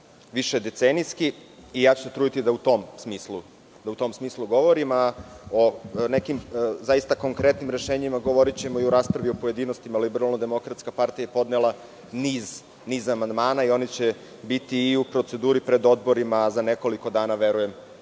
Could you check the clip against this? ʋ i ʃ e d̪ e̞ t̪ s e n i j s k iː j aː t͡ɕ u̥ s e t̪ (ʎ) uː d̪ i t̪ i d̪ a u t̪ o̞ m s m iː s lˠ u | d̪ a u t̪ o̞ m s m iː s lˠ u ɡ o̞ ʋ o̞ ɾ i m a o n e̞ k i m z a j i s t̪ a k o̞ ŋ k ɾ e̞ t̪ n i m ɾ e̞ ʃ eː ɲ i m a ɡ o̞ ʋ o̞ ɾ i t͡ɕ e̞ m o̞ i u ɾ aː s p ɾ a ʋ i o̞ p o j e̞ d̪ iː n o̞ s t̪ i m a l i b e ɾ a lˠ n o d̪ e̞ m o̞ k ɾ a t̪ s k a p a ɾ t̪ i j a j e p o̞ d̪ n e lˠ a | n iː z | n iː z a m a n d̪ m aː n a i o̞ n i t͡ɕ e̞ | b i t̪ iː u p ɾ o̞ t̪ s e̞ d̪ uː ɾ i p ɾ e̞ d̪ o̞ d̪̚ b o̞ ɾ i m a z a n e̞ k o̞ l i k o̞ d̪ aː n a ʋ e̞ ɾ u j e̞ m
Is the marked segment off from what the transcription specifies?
yes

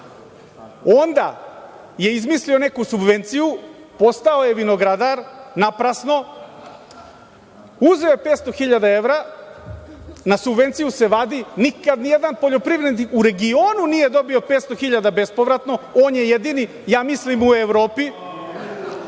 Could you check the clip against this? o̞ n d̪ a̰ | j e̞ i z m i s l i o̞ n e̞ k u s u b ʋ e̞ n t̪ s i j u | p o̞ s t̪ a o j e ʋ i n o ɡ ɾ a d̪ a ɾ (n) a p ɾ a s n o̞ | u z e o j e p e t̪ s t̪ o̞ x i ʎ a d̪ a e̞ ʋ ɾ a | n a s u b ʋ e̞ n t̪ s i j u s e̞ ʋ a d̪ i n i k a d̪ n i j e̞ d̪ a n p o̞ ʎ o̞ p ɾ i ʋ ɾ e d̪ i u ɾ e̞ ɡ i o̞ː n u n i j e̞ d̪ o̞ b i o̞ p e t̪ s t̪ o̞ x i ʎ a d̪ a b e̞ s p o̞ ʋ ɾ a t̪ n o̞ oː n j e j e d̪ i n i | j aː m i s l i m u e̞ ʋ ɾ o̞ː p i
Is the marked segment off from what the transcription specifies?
no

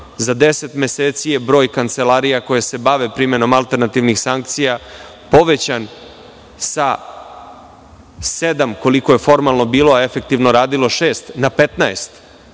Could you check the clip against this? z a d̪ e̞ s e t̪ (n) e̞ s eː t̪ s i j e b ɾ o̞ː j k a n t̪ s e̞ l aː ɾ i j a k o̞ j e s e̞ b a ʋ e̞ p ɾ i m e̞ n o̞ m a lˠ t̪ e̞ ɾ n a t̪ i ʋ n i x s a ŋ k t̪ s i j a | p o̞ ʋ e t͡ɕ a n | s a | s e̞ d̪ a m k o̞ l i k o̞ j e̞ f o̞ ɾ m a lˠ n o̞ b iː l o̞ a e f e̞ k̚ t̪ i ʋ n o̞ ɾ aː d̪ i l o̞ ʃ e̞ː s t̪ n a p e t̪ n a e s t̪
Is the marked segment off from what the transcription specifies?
yes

